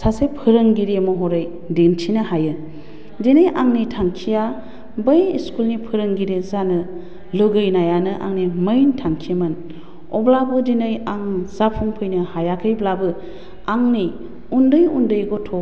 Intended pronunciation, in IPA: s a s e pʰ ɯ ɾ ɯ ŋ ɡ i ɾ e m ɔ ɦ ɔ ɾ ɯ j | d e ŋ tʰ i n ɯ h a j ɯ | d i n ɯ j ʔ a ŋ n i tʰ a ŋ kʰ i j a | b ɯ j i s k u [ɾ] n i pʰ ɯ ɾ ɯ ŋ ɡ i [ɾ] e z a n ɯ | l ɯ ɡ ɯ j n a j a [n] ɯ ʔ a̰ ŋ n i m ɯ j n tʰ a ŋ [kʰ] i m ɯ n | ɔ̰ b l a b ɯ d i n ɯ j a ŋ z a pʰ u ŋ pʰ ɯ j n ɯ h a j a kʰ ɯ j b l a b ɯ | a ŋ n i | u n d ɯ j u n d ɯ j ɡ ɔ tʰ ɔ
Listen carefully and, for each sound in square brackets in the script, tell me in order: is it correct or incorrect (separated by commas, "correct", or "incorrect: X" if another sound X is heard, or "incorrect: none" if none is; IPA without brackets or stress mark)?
incorrect: l, correct, correct, correct